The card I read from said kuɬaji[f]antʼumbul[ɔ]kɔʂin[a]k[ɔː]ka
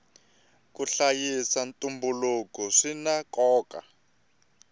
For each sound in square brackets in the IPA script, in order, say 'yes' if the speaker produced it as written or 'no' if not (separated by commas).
no, no, yes, yes